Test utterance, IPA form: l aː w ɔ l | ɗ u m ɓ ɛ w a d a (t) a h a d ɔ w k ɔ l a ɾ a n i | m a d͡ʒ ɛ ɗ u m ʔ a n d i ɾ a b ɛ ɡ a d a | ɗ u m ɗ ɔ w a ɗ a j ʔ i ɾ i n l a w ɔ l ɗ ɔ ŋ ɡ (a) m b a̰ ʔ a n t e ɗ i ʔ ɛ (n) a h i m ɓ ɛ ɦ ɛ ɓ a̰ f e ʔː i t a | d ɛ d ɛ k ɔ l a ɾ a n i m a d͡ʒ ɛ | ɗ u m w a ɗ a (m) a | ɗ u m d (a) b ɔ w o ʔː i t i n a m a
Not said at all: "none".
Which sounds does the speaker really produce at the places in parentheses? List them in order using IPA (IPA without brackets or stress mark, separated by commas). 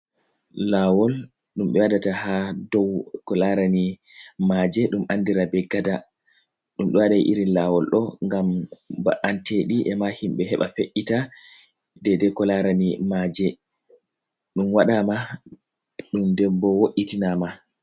t, a, m, m, ɛ